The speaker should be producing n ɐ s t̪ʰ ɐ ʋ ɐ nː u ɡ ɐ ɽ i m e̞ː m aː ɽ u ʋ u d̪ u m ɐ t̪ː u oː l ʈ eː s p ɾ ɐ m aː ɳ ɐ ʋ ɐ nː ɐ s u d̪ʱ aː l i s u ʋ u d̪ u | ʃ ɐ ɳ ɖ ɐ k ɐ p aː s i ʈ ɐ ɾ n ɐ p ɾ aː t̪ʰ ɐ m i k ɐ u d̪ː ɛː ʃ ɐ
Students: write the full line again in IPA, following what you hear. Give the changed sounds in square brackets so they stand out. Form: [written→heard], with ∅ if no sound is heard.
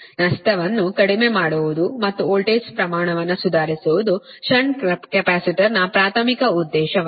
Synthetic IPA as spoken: n ɐ s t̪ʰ ɐ ʋ ɐ nː u [ɡ→k] ɐ ɽ i m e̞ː m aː ɽ u ʋ u d̪ u m ɐ t̪ː u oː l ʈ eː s p ɾ ɐ m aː ɳ ɐ ʋ ɐ nː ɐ s u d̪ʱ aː [l→ɾ] i s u ʋ u d̪ u | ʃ ɐ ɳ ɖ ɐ k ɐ p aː s i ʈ ɐ ɾ n ɐ p ɾ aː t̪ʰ ɐ m i k ɐ u d̪ː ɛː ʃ ɐ